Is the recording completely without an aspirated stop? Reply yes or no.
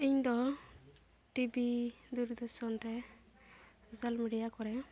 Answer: yes